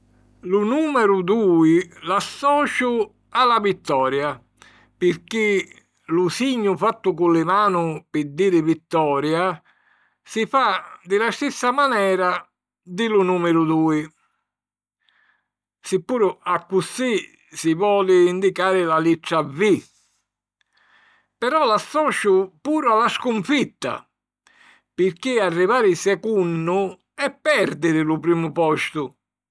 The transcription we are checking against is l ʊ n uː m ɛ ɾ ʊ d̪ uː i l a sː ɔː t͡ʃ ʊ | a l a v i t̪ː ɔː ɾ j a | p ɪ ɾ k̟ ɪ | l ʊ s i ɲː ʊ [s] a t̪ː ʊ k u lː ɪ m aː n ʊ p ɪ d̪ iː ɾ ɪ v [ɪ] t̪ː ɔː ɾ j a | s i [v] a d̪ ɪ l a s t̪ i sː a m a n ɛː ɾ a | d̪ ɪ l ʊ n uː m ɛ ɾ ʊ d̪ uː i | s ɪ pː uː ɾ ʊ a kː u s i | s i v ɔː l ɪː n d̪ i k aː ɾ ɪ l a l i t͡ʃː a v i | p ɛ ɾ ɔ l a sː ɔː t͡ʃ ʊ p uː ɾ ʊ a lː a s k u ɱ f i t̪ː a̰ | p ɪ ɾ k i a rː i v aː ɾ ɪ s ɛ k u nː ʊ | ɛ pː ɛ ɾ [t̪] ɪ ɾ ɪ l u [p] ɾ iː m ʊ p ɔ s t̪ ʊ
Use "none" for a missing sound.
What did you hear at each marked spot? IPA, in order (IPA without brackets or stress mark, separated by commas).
f, i, f, d̪, p